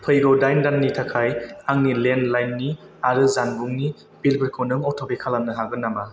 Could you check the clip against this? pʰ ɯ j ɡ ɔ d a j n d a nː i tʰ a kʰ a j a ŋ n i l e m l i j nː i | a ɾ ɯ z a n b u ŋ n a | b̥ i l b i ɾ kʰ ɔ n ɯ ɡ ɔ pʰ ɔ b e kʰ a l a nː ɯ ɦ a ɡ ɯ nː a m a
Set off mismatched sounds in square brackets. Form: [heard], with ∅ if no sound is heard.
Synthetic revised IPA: pʰ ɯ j ɡ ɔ d a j n d a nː i tʰ a kʰ a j a ŋ n i l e [n] l [a] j nː i | a ɾ ɯ z a n b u ŋ n [i] | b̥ i l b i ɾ kʰ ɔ n ɯ [ŋ] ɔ [tʰ] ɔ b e kʰ a l a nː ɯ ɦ a ɡ ɯ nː a m a

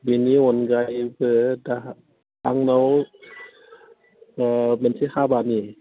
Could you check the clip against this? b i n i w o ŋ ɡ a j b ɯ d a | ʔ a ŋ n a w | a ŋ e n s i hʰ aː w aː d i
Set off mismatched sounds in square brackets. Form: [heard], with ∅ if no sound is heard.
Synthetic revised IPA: b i n i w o [n] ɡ a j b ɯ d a | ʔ a ŋ n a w | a [m] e n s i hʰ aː [b] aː [n] i

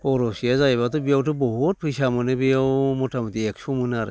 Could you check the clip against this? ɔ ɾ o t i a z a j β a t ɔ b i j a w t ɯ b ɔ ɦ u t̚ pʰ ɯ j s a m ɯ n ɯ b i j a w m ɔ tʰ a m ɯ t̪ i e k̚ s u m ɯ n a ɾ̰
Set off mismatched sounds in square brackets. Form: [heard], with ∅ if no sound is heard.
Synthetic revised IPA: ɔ ɾ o [s] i a z a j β a t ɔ b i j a w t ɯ b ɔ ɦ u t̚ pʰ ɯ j s a m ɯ n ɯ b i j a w m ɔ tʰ a m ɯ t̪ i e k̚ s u m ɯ n a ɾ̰

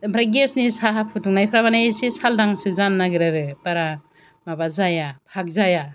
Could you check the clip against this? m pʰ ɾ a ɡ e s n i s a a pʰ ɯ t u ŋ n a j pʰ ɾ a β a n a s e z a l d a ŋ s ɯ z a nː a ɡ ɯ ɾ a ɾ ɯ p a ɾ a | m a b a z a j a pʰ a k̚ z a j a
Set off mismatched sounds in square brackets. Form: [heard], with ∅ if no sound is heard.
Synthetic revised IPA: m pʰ ɾ a ɡ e s n i s a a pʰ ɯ t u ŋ n a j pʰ ɾ a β a n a s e [s] a l d a ŋ s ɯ z a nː a ɡ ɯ ɾ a ɾ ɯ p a ɾ a | m a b a z a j a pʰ a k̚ z a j a

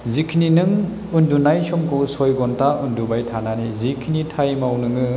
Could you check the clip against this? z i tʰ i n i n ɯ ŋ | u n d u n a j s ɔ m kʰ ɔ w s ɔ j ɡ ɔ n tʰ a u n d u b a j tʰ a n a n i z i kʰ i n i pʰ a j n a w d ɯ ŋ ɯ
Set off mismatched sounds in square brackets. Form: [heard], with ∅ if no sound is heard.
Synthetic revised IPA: z i [kʰ] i n i n ɯ ŋ | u n d u n a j s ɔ m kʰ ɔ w s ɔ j ɡ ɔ n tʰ a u n d u b a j tʰ a n a n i z i kʰ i n i [tʰ] a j [m] a w [n] ɯ ŋ ɯ

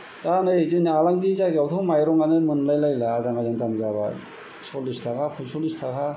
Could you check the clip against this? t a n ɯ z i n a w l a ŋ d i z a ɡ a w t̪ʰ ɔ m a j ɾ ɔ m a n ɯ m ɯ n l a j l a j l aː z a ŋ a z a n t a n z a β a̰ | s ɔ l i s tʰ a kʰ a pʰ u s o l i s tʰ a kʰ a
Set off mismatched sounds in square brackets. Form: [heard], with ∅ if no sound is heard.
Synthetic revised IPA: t a n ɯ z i n a [∅] l a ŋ d i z a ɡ a w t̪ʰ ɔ m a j ɾ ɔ [ŋ] a n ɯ m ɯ n l a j l a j l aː z a ŋ a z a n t a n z a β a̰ | s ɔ l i s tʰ a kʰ a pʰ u s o l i s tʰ a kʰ a

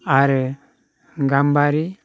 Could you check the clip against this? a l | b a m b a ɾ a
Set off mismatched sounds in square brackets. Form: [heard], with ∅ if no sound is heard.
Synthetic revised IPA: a [ɾ] | [ɡ] a m b a ɾ [i]

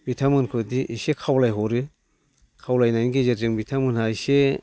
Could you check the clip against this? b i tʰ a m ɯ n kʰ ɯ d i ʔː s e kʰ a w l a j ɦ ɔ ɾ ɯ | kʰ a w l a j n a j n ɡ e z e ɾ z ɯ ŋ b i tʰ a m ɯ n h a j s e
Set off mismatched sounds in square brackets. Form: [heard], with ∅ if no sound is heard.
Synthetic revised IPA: b i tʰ a m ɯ n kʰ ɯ d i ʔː s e kʰ a w l a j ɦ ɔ ɾ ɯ | kʰ a w l a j n a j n ɡ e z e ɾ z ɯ ŋ b i tʰ a m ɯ n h a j s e

